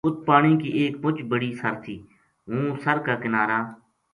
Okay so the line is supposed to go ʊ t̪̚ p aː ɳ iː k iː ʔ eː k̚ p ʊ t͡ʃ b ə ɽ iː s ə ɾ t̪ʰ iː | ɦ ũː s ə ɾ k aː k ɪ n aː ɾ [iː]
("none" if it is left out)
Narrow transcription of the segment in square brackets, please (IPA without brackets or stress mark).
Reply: aː